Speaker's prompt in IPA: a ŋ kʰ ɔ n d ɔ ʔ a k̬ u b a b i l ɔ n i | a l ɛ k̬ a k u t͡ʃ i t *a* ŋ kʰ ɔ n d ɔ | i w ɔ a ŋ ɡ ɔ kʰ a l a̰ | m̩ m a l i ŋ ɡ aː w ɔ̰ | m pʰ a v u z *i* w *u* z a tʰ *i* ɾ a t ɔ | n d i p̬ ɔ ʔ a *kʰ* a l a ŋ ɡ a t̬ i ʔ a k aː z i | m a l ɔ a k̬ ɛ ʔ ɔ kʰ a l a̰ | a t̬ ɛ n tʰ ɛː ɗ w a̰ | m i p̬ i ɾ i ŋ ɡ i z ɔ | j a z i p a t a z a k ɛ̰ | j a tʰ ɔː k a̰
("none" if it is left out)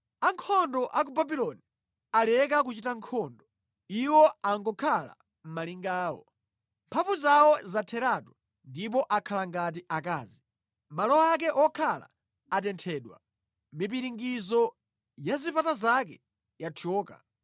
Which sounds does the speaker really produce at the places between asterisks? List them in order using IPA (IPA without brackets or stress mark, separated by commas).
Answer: a, a, ɔ, ɛ, kʰ